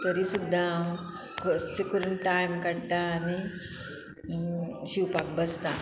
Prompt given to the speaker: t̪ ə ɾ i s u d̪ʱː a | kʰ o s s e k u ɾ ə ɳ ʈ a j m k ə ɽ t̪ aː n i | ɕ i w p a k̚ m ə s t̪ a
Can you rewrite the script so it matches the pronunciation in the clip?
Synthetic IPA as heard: t̪ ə ɾ i s u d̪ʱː a | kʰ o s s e k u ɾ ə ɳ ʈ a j m k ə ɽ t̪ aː n i | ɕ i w p a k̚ b ə s t̪ a